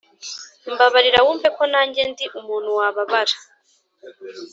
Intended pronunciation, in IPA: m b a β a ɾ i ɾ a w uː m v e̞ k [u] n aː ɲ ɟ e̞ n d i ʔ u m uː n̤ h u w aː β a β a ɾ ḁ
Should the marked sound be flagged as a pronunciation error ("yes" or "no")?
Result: yes